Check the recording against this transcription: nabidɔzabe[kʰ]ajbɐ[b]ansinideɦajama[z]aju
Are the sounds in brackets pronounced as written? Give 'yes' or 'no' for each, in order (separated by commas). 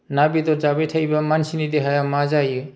no, no, yes